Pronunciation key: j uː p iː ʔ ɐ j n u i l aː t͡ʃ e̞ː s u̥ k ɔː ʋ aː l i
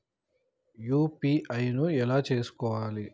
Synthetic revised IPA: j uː p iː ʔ ɐ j n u ɛ l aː t͡ʃ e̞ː s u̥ k ɔː ʋ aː l i